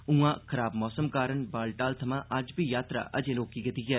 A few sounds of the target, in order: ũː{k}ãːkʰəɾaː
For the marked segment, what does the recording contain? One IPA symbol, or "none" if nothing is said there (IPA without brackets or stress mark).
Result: none